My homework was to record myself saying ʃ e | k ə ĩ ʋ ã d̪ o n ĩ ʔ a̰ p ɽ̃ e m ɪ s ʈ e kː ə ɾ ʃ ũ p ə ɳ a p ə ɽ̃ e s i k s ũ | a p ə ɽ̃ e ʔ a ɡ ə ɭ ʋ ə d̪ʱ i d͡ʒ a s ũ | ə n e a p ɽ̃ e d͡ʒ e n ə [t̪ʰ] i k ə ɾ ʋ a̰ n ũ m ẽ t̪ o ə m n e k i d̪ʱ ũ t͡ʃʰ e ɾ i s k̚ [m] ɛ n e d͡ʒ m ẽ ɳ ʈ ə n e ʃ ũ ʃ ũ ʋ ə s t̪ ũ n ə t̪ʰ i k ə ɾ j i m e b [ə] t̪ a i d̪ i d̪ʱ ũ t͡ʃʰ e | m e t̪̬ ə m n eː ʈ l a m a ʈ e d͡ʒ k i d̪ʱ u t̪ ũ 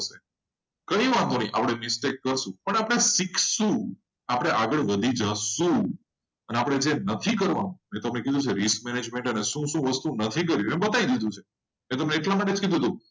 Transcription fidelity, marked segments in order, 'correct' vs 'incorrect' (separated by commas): correct, correct, correct